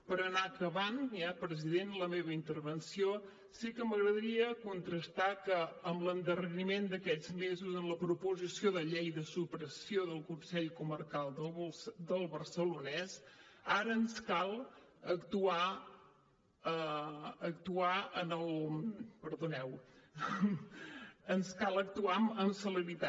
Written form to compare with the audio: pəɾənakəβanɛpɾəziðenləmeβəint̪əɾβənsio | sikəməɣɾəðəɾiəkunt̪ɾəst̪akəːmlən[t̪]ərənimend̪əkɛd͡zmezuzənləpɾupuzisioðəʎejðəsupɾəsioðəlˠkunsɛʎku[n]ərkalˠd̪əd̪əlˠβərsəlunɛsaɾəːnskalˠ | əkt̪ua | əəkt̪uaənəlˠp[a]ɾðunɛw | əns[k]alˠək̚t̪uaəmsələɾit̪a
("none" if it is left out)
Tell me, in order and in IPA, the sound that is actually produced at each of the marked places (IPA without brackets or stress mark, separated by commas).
d̪, m, ə, k